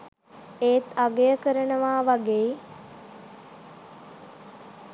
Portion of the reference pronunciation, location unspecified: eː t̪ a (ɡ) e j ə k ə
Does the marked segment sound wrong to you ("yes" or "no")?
no